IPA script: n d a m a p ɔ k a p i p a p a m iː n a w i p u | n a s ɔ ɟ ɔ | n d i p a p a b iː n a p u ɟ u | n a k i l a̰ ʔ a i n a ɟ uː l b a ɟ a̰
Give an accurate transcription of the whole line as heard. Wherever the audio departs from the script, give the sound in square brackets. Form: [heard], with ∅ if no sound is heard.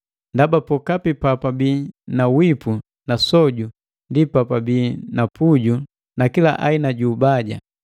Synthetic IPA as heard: n d a [b] a p ɔ k a p i p a p a [b] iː n a w i p u | n a s ɔ ɟ [u] | n d i p a p a b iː n a p u ɟ u | n a k i l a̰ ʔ a i n a ɟ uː [∅] b a ɟ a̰